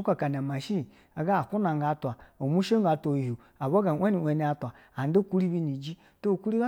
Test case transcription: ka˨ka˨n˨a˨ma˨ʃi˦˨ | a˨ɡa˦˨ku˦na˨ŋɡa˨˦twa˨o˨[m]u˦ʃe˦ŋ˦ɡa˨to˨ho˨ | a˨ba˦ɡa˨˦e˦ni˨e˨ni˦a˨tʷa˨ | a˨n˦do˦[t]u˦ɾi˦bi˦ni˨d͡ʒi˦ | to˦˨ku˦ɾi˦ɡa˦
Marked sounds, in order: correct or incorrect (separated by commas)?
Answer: correct, incorrect